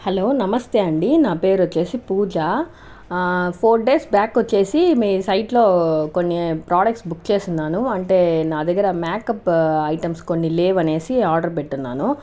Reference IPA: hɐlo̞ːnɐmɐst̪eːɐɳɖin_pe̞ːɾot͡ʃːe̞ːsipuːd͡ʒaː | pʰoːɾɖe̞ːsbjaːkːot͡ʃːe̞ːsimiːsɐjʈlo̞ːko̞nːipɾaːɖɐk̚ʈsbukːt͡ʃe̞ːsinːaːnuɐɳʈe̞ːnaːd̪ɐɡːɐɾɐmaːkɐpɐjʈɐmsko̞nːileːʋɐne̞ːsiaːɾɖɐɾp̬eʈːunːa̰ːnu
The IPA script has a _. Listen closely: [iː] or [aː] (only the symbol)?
aː